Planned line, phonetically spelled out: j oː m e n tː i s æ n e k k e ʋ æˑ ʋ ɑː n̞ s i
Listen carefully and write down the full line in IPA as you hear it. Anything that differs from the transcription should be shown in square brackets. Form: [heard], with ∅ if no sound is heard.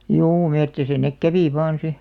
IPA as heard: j [uː] m e [∅] tː i s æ n e k k [æ] ʋ [iˑ] ʋ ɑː n̞ s i